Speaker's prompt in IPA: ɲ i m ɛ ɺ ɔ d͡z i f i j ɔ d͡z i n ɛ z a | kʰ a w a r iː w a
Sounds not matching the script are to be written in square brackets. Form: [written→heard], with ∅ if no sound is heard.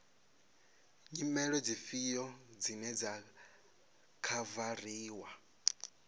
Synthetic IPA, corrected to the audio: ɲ i m ɛ ɺ ɔ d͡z i f i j ɔ d͡z i n ɛ [z→d͡z] a | kʰ a [w→v] a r iː w a